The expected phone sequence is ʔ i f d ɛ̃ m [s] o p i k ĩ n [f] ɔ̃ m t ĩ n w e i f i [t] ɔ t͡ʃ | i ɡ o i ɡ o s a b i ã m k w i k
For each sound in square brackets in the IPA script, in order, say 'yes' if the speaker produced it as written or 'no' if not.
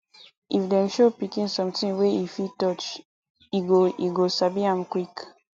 no, no, yes

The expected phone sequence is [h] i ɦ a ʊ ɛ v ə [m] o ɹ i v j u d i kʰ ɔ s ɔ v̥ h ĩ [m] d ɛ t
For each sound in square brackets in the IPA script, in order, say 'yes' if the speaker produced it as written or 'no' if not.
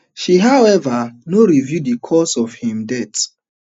no, no, yes

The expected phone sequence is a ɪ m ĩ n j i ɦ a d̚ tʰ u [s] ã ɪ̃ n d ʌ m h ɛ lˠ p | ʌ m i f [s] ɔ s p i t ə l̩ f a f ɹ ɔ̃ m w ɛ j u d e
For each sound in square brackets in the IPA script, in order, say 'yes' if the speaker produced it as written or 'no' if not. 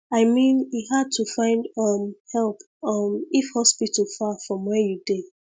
no, no

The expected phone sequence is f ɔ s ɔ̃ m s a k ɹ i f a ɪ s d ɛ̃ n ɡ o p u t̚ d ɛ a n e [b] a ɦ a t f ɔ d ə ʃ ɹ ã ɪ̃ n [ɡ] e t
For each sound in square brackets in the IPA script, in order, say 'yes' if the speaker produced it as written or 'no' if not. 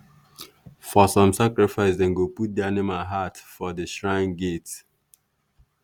no, yes

